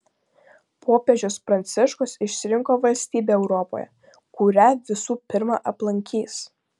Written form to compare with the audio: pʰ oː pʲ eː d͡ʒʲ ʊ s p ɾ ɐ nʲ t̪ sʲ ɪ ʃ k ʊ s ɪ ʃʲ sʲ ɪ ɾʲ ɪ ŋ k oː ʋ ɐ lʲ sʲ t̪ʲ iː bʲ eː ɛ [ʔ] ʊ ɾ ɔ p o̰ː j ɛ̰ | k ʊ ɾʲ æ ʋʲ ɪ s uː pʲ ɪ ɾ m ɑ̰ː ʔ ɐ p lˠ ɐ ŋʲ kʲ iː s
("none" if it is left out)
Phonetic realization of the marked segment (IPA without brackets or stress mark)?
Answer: none